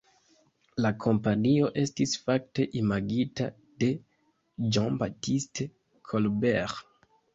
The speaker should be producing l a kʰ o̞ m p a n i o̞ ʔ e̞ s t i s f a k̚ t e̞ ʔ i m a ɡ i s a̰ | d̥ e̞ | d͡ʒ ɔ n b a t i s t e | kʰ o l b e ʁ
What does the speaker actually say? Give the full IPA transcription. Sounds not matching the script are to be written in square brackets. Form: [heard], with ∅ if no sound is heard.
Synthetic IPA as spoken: l a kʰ o̞ m p a n i o̞ ʔ e̞ s t i s f a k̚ t e̞ ʔ i m a ɡ i [t] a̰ | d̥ e̞ | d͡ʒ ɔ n b a t i s t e | kʰ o l b e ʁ